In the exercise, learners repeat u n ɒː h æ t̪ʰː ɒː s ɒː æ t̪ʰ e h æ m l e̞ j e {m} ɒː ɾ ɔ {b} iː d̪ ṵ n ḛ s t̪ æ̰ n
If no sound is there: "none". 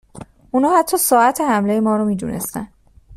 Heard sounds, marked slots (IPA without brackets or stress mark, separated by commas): m, m